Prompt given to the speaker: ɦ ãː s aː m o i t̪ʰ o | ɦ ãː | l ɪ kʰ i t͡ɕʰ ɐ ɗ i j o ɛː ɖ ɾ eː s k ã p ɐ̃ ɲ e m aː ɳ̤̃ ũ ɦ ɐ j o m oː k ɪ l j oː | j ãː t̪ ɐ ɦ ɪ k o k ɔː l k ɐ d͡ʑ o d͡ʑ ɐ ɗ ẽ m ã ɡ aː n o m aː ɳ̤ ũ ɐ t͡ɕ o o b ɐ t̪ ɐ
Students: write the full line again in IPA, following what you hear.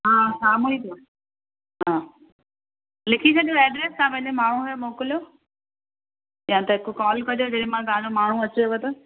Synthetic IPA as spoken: ɦ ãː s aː m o i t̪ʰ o | ɦ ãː | l ɪ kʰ i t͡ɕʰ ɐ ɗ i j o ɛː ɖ ɾ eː s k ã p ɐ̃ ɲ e m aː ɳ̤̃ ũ ɦ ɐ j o m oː k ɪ l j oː | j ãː t̪ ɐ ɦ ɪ k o k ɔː l k ɐ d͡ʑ o d͡ʑ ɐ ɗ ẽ m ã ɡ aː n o m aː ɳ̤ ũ ɐ t͡ɕ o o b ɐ t̪ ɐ